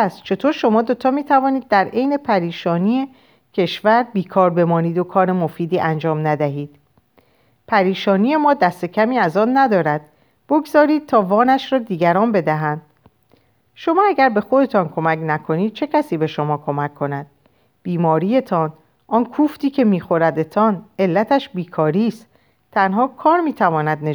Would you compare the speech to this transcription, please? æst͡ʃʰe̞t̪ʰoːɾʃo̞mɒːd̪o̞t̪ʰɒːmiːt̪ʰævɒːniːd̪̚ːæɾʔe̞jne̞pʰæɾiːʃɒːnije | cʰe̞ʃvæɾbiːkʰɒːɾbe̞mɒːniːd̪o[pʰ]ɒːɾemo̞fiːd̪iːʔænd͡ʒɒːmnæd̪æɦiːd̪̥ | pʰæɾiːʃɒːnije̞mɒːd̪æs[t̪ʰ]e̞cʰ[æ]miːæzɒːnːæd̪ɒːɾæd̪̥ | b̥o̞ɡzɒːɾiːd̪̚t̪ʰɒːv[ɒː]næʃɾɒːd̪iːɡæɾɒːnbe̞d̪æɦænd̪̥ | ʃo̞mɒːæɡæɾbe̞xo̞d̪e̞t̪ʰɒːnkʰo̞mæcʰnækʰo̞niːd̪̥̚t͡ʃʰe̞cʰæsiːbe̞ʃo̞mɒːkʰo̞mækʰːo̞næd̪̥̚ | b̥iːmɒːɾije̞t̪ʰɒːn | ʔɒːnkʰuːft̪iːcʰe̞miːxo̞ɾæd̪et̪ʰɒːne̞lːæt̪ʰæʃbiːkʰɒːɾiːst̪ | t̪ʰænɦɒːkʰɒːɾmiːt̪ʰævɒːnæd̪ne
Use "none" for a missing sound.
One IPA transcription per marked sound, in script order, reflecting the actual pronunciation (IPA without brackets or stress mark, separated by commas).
kʰ, t̪, æ, ɒː